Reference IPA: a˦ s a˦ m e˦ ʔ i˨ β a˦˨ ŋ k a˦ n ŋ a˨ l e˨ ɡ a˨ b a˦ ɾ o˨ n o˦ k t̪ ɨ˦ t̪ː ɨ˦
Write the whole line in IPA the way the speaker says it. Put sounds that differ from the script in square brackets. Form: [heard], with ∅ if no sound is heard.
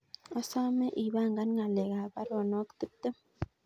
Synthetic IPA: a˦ s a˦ m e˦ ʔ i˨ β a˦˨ ŋ [ɡ] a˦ n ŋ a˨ l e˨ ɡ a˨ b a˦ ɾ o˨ n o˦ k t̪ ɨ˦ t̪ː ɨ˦